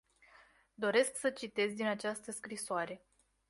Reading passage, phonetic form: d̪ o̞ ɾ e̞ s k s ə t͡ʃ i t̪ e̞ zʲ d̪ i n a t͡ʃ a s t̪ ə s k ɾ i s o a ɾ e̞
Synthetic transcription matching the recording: d̪ o̞ ɾ e̞ s k s ə t͡ʃ i t̪ e̞ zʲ d̪ i n a t͡ʃ a s t̪ ə s k ɾ i s o a ɾ e̞